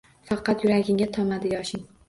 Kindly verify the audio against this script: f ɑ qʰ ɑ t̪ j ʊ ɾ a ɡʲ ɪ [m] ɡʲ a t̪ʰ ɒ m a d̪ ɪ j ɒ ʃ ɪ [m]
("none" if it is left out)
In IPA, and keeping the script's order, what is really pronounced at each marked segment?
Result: ŋ, ŋ

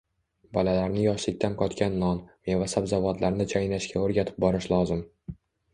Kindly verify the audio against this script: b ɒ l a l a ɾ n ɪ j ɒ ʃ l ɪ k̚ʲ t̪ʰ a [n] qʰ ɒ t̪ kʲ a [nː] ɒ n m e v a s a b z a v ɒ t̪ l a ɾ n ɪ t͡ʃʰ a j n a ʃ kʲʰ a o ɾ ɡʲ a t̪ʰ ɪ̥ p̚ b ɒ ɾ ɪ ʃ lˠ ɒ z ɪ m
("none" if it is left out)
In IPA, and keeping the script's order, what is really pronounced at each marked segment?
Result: n, nː

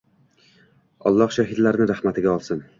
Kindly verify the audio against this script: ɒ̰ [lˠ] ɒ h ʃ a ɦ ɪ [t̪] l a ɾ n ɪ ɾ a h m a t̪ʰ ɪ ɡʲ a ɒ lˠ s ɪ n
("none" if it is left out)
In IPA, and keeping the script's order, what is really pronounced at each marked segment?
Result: lˠː, d̪

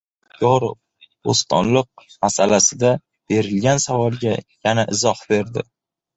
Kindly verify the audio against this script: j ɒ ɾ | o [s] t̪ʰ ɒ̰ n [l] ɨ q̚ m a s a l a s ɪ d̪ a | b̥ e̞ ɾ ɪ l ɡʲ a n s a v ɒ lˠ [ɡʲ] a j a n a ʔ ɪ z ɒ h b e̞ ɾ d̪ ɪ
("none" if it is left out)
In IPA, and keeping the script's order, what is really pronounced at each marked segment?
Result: s, l, ɡʲ

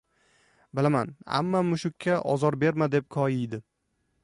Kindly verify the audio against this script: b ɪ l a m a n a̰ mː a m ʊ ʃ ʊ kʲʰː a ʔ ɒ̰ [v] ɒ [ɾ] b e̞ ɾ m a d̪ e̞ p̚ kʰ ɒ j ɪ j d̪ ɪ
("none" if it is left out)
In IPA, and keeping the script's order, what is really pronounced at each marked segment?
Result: z, ɾ

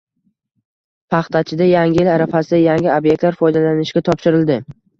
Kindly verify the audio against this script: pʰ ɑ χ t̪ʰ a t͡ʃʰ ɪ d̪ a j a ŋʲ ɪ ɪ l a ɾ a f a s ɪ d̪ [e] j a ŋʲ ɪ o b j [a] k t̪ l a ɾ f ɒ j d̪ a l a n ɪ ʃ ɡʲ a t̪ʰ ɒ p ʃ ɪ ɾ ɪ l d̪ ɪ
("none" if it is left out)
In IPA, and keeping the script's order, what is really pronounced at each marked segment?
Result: a, e

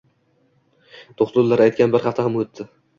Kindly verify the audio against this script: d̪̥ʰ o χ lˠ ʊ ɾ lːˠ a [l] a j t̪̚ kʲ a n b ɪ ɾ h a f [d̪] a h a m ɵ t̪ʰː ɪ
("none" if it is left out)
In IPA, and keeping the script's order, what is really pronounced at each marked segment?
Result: ɾ, t̪

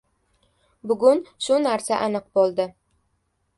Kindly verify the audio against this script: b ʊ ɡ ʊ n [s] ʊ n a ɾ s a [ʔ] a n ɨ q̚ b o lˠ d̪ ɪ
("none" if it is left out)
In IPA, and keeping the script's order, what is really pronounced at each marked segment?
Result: ʃ, ʔ

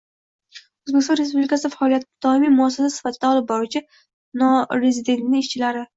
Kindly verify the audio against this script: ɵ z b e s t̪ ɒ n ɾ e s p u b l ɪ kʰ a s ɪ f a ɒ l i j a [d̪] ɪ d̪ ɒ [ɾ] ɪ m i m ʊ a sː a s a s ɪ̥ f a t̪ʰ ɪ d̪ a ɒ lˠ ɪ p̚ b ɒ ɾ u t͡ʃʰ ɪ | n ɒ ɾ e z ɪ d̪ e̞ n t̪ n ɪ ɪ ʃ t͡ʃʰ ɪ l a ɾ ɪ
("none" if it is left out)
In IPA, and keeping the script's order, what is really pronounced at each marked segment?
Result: t̪, none

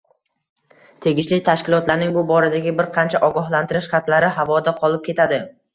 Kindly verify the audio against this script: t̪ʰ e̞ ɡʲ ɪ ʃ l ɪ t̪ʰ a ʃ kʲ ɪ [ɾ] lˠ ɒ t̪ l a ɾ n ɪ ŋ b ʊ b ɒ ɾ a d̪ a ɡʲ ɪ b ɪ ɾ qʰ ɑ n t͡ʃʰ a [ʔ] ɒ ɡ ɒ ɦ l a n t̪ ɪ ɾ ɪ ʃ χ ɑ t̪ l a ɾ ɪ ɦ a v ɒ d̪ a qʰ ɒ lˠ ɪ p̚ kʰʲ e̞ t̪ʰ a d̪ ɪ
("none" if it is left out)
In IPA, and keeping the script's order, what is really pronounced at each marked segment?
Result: none, ʔ

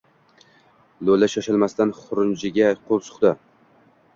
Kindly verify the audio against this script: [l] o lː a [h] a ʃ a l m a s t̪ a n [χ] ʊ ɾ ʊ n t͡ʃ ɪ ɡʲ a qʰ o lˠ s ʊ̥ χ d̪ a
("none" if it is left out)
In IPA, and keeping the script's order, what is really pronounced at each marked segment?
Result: l, ʃ, χ

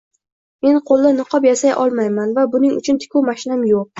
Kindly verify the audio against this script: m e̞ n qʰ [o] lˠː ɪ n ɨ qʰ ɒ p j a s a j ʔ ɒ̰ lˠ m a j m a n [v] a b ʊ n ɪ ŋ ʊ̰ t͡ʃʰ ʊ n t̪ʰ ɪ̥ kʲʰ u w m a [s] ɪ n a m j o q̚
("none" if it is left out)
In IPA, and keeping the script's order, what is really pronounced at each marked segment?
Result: o, v, ʃ

